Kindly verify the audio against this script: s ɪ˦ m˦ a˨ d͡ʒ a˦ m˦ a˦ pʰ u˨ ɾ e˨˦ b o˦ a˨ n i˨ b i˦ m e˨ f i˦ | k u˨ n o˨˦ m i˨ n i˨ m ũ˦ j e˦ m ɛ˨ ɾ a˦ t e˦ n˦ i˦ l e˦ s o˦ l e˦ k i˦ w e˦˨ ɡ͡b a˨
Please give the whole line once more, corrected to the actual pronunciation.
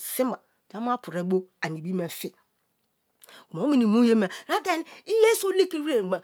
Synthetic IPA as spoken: s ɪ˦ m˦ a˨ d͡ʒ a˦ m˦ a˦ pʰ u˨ ɾ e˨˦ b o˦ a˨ n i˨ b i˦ m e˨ f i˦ | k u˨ m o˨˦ m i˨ n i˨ m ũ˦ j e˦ m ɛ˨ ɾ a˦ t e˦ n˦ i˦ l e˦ s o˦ l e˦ k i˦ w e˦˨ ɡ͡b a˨